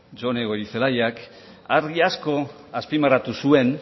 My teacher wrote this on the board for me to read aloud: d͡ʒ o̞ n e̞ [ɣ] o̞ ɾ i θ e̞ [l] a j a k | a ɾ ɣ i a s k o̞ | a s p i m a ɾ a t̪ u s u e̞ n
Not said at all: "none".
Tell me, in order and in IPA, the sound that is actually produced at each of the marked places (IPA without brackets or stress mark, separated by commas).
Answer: ɣ, l